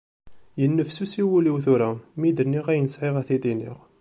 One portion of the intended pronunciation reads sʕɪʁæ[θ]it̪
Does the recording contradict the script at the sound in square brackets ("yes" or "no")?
no